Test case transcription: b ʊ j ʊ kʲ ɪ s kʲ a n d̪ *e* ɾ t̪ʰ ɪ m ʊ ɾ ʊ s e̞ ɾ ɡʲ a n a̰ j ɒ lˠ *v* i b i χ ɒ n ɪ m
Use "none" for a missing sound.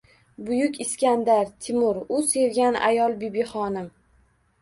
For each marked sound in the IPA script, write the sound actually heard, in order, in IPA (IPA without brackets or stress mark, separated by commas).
a, b